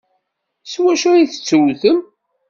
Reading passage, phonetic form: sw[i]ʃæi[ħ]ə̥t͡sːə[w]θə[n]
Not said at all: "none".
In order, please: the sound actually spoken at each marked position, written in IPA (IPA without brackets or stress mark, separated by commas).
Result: æ, θ, w, m